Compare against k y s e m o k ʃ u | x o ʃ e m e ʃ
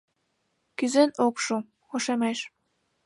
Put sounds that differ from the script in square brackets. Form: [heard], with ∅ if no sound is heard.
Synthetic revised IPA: k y [z] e [n] o k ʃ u | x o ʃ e m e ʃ